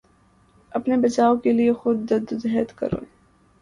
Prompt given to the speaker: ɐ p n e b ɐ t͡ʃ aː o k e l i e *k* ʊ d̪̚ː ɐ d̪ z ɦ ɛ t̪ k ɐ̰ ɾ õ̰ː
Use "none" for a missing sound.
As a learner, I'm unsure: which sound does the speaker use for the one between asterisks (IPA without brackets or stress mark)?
x